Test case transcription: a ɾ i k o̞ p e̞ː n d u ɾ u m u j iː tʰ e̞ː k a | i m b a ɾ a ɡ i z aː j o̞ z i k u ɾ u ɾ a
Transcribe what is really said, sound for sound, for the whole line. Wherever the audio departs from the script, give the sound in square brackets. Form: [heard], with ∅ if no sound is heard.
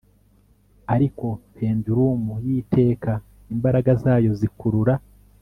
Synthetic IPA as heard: a ɾ i k o̞ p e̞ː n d u ɾ u m u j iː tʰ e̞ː k a | i m b a ɾ a ɡ [a] z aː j o̞ z i k u ɾ u ɾ a